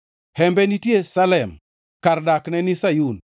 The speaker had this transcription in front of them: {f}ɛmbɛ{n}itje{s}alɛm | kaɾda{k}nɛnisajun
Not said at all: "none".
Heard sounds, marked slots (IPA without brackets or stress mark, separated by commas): h, n, s, k